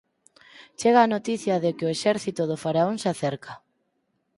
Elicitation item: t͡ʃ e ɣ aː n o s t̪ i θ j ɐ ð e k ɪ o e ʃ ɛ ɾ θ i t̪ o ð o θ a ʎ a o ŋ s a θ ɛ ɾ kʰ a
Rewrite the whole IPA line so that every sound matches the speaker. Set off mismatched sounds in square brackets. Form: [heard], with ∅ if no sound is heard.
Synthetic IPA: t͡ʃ e ɣ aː n o [∅] t̪ i θ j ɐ ð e k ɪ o e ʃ ɛ ɾ θ i t̪ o ð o [f] a [ɾ] a o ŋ s a θ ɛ ɾ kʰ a